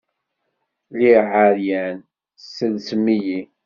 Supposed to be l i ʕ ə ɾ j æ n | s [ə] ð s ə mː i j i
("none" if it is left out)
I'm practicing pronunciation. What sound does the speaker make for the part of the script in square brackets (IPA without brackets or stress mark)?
ə